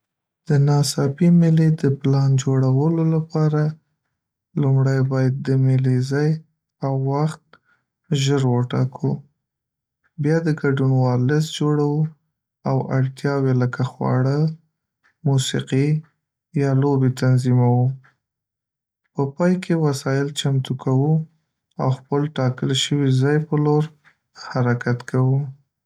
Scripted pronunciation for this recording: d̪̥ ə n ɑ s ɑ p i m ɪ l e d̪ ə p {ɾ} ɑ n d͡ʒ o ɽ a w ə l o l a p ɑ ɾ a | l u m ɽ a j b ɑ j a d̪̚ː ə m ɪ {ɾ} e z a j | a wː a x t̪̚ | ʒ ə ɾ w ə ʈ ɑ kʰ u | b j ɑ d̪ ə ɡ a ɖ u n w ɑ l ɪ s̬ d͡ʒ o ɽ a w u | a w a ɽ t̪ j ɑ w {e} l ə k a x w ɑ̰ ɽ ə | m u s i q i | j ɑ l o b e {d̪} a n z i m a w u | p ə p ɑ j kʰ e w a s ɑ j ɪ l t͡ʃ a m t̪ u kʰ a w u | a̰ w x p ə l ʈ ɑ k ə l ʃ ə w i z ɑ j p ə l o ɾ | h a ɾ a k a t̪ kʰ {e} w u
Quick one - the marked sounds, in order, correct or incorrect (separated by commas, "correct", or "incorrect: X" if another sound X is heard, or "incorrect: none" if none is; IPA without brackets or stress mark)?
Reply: incorrect: l, incorrect: l, correct, incorrect: t̪, incorrect: a